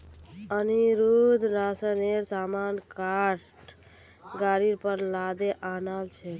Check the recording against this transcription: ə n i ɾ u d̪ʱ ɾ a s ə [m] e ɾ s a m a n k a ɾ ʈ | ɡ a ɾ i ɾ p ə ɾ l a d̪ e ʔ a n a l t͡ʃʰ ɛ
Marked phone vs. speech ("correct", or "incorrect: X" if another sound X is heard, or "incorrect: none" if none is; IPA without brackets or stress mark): incorrect: n